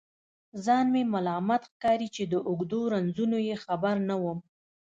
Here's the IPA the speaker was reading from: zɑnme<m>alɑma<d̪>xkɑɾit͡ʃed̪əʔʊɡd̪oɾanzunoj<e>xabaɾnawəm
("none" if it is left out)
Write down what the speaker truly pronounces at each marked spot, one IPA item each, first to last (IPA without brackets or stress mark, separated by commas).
m, t̪, e